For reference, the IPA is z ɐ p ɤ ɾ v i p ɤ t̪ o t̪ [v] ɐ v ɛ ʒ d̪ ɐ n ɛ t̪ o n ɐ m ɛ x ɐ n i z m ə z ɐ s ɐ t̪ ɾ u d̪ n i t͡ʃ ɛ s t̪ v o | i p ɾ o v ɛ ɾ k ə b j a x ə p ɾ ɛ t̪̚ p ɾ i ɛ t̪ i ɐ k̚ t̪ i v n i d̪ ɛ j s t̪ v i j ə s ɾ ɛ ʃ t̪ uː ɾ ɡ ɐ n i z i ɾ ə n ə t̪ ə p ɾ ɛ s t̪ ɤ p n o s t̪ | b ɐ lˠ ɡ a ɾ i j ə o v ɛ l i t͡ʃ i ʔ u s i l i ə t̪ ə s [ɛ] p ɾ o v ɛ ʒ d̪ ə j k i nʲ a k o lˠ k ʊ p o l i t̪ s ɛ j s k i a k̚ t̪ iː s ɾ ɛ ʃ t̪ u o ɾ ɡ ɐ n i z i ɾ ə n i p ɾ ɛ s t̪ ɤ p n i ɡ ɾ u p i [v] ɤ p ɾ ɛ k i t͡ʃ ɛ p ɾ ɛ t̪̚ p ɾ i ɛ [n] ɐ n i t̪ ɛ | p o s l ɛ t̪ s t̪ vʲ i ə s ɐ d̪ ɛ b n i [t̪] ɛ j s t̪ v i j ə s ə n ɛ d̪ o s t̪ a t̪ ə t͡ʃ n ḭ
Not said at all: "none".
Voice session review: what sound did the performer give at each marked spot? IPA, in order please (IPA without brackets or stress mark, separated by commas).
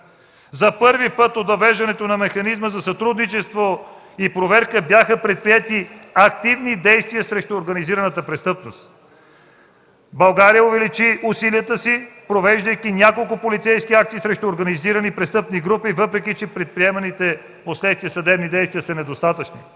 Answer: v, i, v, m, d̪